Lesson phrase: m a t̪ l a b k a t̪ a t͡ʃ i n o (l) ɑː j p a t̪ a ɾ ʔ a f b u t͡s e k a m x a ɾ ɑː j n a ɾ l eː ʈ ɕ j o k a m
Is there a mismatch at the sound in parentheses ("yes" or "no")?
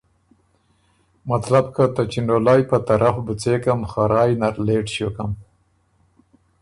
no